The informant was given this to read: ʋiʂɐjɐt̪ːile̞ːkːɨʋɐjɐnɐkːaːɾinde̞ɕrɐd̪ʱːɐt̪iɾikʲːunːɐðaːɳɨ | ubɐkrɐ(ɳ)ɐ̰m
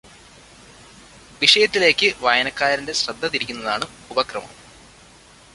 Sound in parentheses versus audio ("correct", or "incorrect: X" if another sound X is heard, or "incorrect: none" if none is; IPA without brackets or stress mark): incorrect: m